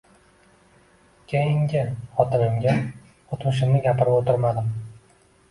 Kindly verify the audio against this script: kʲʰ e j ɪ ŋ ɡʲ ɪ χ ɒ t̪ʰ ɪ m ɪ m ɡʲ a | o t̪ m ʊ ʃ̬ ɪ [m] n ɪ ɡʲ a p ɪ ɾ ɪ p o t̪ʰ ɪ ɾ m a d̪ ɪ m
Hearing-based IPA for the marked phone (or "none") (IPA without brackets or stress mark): m